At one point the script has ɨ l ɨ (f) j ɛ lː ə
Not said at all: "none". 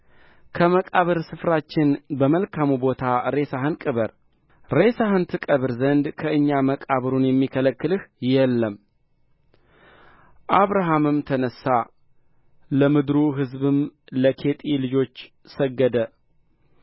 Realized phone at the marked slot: h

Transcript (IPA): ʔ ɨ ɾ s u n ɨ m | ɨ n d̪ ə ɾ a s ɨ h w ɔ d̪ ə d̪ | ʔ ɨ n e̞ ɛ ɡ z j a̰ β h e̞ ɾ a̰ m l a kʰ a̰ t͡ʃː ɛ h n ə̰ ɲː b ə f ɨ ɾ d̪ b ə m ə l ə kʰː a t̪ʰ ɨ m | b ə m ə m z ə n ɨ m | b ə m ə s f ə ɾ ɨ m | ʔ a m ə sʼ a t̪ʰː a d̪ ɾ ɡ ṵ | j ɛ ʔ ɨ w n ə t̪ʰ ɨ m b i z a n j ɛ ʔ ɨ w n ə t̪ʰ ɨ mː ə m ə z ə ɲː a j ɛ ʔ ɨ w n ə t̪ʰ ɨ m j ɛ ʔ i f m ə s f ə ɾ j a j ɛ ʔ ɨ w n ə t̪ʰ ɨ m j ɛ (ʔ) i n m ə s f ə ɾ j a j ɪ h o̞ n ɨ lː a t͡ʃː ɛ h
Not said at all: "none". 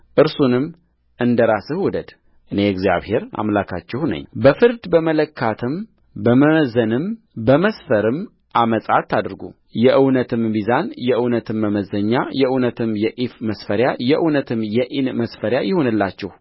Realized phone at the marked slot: ʔ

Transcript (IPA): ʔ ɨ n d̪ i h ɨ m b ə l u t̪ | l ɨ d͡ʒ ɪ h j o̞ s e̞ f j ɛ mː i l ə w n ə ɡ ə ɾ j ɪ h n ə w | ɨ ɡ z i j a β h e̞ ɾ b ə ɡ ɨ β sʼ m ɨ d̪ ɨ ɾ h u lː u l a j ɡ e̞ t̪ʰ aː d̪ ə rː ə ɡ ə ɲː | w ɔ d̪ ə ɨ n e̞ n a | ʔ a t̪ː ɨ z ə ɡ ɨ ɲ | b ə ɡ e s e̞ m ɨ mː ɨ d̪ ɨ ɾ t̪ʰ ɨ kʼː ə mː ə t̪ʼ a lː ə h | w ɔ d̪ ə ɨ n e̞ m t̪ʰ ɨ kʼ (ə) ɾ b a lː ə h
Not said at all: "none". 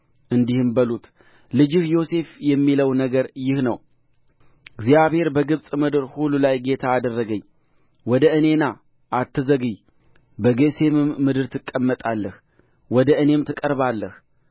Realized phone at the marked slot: ə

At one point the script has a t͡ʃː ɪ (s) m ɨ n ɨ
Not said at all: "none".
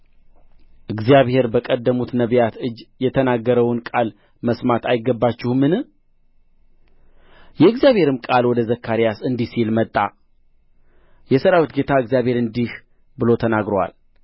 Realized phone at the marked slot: h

